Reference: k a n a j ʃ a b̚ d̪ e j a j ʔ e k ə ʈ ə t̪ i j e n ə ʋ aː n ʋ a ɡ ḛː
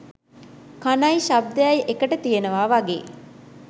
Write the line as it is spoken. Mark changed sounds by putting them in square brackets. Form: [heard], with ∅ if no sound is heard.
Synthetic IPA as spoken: k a n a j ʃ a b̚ d̪ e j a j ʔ e k ə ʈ ə t̪ i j e n ə ʋ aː [∅] ʋ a ɡ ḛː

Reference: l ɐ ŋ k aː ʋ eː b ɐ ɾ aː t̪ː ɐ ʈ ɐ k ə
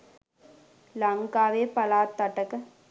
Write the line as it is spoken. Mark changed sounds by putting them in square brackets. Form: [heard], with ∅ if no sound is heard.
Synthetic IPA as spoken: l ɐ ŋ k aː ʋ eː [p] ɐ [l] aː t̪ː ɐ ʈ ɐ k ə

